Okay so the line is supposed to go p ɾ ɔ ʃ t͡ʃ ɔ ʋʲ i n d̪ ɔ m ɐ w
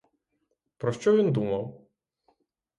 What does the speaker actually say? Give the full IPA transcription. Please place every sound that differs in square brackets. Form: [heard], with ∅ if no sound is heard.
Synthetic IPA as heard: p ɾ ɔ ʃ t͡ʃ ɔ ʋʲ i n d̪ [u] m ɐ w